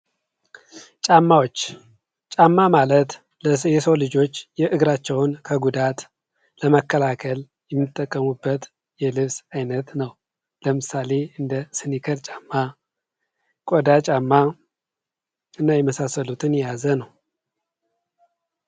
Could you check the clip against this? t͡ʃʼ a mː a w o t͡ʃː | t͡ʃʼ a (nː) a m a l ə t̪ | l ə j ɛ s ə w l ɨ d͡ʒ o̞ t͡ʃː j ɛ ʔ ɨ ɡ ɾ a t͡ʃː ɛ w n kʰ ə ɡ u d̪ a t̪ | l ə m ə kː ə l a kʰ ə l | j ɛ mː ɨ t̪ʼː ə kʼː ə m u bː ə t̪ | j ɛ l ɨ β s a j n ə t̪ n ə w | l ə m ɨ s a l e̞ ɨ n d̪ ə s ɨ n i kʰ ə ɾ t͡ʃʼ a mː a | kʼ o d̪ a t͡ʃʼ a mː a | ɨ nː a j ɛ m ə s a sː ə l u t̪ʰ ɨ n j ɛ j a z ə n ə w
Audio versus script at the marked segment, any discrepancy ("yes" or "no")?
yes